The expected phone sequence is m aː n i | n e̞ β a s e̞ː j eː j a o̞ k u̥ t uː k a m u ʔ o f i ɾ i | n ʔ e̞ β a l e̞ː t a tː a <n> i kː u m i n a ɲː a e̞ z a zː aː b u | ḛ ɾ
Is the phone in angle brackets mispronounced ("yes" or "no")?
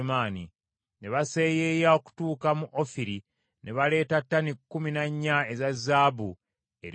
no